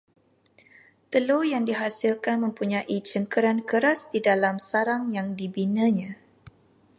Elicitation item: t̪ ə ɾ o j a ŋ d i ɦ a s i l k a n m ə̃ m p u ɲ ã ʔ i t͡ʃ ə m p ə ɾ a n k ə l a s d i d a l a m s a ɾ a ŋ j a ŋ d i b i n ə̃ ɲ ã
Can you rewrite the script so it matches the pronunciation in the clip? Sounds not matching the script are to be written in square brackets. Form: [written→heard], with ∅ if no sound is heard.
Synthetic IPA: t̪ ə [ɾ→l] o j a ŋ d i ɦ a s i l k a n m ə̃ m p u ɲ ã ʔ i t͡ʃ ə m [p→k] ə ɾ a n k ə [l→ɾ] a s d i d a l a m s a ɾ a ŋ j a ŋ d i b i n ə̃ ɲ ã